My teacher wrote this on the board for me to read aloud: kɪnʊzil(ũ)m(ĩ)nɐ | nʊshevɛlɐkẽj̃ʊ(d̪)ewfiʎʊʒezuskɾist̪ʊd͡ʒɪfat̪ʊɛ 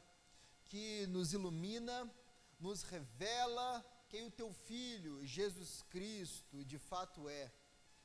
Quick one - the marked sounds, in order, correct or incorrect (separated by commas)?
incorrect, correct, incorrect